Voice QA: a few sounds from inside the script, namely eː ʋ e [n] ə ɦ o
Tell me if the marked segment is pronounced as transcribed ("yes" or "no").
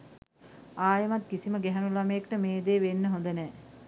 no